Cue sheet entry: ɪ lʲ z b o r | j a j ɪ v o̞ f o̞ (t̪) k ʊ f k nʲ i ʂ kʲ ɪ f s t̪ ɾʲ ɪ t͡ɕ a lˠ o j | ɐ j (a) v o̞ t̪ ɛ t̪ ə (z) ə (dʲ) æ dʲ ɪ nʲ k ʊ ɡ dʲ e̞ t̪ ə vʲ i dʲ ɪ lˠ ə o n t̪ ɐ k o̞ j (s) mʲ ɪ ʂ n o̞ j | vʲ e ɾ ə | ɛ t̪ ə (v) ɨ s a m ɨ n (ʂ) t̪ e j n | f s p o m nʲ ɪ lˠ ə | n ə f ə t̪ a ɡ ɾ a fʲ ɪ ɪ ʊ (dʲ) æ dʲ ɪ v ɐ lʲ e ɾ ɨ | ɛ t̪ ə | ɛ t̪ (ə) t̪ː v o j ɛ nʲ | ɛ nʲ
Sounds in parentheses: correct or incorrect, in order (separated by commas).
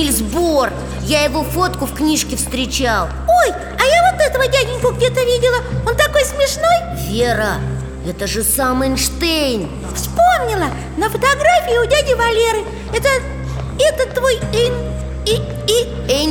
correct, correct, incorrect, correct, correct, incorrect, correct, correct, correct